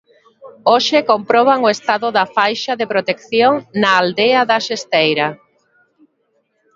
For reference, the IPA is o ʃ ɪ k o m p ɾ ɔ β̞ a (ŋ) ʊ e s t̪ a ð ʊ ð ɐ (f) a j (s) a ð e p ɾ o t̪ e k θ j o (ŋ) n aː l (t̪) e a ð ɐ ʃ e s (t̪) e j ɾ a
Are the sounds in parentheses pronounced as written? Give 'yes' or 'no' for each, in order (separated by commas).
yes, yes, no, yes, no, yes